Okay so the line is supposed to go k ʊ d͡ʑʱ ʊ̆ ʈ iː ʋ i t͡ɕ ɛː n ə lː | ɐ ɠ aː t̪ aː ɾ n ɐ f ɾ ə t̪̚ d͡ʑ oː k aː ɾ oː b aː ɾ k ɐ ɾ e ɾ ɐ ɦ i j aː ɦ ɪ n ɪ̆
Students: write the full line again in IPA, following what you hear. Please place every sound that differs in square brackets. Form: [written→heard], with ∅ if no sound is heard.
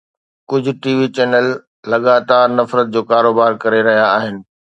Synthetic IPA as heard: k ʊ d͡ʑʱ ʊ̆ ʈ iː ʋ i t͡ɕ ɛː n ə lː | ɐ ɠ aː t̪ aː ɾ n ɐ f ɾ ə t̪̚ d͡ʑ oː k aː ɾ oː b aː ɾ k ɐ ɾ e ɾ ɐ ɦ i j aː ɦ ɪ n ɪ̆

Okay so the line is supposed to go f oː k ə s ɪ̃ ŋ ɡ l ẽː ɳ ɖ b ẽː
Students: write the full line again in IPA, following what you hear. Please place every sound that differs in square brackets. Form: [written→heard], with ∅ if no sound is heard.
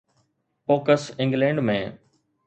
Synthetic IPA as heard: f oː k ə s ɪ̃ ŋ ɡ l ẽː ɳ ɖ [b→m] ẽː

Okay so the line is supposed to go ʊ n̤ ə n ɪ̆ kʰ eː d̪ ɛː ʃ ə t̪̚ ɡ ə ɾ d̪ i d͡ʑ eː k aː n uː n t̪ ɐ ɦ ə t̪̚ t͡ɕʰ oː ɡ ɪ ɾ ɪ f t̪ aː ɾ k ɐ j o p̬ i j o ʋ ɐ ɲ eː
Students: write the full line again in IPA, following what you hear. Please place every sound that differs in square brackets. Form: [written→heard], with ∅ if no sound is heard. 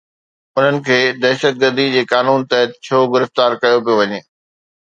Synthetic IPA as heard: ʊ n̤ ə n ɪ̆ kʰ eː d̪ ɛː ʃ ə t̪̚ ɡ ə ɾ d̪ i d͡ʑ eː k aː n uː n t̪ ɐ ɦ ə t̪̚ t͡ɕʰ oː ɡ ɪ ɾ ɪ f t̪ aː ɾ k ɐ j o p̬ i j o ʋ ɐ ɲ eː

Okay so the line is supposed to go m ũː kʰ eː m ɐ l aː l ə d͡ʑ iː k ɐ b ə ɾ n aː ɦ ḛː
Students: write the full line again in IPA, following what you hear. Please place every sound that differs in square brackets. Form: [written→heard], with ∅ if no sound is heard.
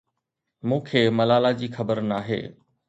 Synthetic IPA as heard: m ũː kʰ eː m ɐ l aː l [ə→a] d͡ʑ iː [k→x] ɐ b ə ɾ n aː ɦ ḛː

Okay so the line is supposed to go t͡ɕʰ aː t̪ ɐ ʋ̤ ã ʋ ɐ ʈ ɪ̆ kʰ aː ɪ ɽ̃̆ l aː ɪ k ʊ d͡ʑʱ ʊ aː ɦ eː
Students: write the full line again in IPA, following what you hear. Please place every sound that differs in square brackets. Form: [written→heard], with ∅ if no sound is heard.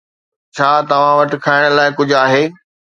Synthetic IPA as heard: t͡ɕʰ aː t̪ ɐ ʋ̤ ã ʋ ɐ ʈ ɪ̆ kʰ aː ɪ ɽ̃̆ l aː ɪ k ʊ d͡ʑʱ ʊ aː ɦ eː

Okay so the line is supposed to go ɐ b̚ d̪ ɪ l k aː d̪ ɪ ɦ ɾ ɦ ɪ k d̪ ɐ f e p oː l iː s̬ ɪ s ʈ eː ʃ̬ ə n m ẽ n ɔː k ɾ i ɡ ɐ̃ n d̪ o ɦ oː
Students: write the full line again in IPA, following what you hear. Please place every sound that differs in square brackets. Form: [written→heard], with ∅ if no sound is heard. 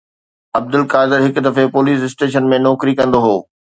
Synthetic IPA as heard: ɐ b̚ d̪ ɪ l k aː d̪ ɪ [ɦ→∅] ɾ ɦ ɪ k d̪ ɐ f e p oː l iː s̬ ɪ s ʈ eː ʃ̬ ə n m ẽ n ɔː k ɾ i [ɡ→k] ɐ̃ n d̪ o ɦ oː

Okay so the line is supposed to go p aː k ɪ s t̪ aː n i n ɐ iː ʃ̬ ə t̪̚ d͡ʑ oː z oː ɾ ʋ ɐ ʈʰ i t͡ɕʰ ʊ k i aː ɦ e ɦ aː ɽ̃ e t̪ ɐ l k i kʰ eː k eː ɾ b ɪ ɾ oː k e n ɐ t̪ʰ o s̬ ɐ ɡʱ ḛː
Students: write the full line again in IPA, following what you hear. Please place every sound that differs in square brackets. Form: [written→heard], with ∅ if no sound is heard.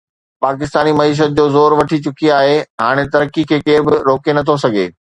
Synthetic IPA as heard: p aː k ɪ s t̪ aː n i [n→m] ɐ iː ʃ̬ ə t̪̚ d͡ʑ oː z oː ɾ ʋ ɐ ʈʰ i [t͡ɕʰ→t͡ɕ] ʊ k i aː ɦ e ɦ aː ɽ̃ e t̪ ɐ [l→ɾ] k i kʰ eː k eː ɾ b ɪ ɾ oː k e n ɐ t̪ʰ o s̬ ɐ ɡʱ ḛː

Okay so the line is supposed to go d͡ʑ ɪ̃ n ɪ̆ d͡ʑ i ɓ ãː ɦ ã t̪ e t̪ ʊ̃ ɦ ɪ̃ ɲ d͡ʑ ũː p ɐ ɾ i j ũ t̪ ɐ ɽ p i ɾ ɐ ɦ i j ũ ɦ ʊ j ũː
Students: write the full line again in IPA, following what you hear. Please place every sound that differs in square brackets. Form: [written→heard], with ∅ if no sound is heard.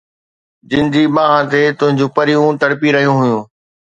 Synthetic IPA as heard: d͡ʑ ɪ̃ n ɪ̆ d͡ʑ i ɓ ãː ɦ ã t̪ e t̪ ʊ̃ ɦ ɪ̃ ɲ d͡ʑ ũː p ɐ ɾ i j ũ t̪ ɐ ɽ p i ɾ ɐ ɦ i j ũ ɦ ʊ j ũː

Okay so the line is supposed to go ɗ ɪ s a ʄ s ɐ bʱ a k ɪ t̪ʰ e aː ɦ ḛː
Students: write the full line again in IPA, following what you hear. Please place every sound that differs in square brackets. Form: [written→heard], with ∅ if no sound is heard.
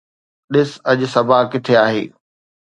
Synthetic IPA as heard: ɗ ɪ s [a→ɐ] ʄ s ɐ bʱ a k ɪ t̪ʰ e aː ɦ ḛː

